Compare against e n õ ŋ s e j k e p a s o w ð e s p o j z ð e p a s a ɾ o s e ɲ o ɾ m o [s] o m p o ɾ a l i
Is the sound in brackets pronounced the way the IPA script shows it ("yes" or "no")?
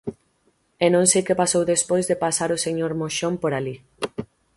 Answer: no